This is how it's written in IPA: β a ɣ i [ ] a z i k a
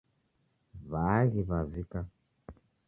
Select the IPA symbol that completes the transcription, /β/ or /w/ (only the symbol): β